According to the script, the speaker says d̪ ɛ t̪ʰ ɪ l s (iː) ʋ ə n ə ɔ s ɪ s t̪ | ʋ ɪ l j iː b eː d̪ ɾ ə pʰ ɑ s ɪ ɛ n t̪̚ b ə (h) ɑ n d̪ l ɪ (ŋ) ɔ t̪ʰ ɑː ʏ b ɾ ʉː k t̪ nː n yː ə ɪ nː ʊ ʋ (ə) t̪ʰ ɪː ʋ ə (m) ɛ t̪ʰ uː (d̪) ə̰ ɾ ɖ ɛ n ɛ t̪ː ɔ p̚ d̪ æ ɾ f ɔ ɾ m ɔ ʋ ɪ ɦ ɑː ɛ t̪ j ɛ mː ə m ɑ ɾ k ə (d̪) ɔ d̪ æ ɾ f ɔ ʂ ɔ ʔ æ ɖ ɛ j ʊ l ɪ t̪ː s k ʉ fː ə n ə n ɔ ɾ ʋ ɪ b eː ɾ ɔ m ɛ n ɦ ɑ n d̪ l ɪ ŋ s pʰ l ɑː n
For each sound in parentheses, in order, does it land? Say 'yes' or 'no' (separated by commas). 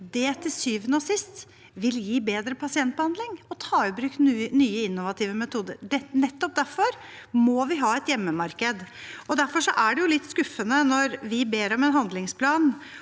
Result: no, yes, yes, no, yes, yes, yes